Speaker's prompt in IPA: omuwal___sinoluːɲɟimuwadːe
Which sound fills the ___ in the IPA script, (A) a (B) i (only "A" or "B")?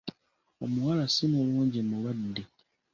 A